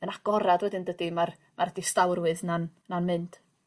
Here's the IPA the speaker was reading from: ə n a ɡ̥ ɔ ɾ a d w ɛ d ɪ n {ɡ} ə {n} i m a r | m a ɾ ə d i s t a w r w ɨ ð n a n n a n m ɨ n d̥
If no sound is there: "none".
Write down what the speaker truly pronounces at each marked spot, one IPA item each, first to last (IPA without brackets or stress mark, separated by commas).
d, d